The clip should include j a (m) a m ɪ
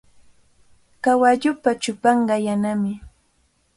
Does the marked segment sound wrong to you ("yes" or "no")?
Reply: yes